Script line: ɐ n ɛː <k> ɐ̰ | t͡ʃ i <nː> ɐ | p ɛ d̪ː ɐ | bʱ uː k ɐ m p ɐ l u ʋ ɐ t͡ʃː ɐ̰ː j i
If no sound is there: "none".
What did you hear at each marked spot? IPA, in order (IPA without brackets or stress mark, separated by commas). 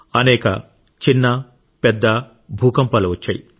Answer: k, nː